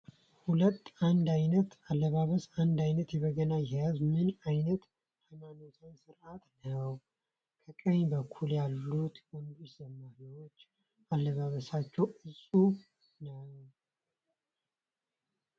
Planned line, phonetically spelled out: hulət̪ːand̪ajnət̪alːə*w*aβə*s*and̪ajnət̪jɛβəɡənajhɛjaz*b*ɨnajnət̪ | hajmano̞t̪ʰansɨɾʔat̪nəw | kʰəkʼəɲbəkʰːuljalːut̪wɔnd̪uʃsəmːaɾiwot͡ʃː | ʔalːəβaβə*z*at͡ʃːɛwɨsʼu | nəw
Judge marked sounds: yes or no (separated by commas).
no, yes, no, no